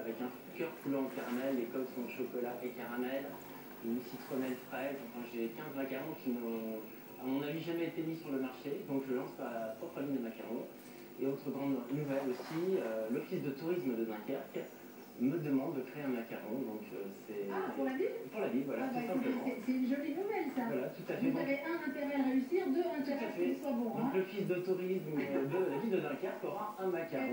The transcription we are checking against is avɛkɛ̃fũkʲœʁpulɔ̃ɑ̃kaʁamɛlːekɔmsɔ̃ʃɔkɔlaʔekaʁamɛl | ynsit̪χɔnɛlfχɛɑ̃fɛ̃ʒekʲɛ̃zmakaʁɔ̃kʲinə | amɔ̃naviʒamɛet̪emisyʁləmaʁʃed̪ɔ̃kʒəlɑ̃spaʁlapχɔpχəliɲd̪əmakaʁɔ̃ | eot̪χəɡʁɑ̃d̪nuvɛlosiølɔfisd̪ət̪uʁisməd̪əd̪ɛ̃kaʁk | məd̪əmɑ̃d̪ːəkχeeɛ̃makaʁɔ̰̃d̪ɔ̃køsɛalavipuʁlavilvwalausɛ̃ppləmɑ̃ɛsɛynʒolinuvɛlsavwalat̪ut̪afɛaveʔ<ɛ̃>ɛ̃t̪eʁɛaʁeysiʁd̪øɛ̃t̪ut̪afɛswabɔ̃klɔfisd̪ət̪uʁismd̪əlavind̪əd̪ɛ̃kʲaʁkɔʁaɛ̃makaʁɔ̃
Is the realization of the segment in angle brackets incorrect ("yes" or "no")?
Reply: no